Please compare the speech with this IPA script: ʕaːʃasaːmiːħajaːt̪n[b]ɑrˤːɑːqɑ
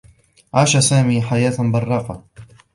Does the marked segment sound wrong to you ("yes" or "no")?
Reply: no